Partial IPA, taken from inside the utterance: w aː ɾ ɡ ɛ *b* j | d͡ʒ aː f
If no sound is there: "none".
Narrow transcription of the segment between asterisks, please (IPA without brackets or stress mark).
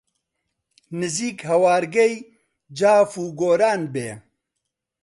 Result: none